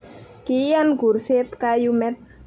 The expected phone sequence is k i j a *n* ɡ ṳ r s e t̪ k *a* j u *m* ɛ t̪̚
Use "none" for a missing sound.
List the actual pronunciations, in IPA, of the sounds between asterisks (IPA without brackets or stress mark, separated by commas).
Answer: n, a, m